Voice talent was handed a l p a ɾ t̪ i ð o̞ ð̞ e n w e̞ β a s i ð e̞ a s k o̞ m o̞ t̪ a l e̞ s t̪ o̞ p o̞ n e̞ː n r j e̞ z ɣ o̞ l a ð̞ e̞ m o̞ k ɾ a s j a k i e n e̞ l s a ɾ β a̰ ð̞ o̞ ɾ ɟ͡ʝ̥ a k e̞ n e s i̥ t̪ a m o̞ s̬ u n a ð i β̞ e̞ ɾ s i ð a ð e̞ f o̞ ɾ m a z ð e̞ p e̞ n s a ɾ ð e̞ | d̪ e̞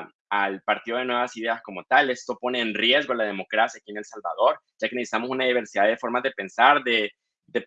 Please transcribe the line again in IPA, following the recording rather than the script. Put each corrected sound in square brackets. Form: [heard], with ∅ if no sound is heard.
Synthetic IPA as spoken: a l p a ɾ t̪ i ð o̞ ð̞ e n w e̞ β a s i ð e̞ a s k o̞ m o̞ t̪ a l e̞ s t̪ o̞ p o̞ n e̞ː n r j e̞ z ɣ o̞ l a ð̞ e̞ m o̞ k ɾ a s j a k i e n e̞ l s a [l] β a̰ ð̞ o̞ ɾ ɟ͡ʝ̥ a k e̞ n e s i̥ t̪ a m o̞ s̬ u n a ð i β̞ e̞ ɾ s i ð a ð e̞ f o̞ ɾ m a z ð e̞ p e̞ n s a ɾ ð e̞ | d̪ e̞

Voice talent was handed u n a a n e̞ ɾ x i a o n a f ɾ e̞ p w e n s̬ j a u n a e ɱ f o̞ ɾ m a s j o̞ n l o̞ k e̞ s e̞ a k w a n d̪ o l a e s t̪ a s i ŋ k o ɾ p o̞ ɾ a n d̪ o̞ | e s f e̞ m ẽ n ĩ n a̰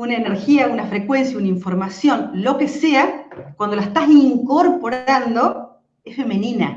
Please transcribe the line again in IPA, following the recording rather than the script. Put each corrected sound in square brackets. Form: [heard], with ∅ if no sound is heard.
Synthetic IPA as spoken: u n a [e] n e̞ ɾ x i a [u] n a f ɾ e̞ [k] w e n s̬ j a u n a [i] ɱ f o̞ ɾ m a s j o̞ n l o̞ k e̞ s e̞ a k w a n d̪ o l a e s t̪ a s i ŋ k o ɾ p o̞ ɾ a n d̪ o̞ | e s f e̞ m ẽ n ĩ n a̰

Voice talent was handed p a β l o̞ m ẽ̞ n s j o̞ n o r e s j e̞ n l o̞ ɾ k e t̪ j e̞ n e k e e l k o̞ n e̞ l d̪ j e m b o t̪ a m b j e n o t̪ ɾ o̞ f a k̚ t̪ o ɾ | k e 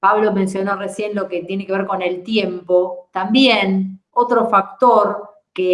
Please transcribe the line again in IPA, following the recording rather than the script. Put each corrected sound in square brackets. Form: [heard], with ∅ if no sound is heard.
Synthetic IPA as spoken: p a β l o̞ m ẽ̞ n s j o̞ n o r e s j e̞ n l o̞ [∅] k e t̪ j e̞ n e k e e [ɾ] k o̞ n e̞ l [t̪] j e m [p] o t̪ a m b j e n o t̪ ɾ o̞ f a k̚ t̪ o ɾ | k e

